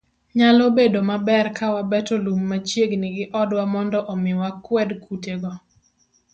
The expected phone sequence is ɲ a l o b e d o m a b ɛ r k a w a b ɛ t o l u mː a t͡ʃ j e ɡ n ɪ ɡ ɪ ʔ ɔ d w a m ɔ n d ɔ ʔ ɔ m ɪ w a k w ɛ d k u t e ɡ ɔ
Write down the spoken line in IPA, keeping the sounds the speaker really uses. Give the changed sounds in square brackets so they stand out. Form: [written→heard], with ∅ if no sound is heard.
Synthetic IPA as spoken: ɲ a l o b e d o m a b ɛ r k a w a b ɛ t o l u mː a t͡ʃ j e ɡ n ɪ ɡ ɪ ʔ ɔ d w a m ɔ n d ɔ ʔ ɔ m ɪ w a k w ɛ d k u t e ɡ ɔ